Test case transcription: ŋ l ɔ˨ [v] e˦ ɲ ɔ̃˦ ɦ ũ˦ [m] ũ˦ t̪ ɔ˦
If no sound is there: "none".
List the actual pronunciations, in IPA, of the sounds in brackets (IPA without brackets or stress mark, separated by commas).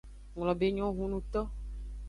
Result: b, n